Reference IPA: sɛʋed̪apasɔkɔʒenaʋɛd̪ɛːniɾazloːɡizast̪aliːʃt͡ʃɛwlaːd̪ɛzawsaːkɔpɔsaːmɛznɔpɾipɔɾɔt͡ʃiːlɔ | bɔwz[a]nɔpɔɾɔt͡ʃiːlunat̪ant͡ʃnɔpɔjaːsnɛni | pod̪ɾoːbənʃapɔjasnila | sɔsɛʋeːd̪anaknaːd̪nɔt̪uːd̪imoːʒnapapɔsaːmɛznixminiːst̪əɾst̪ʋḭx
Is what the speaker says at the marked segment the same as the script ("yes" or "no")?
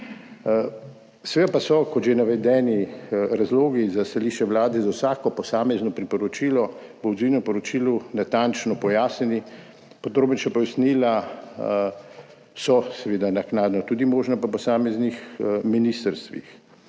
no